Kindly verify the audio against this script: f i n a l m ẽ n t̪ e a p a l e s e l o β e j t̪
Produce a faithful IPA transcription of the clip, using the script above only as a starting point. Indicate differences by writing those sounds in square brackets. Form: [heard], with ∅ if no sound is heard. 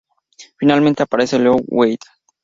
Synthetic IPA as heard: f i n a l m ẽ n t̪ e a p a [ɾ] e s e l o [w] e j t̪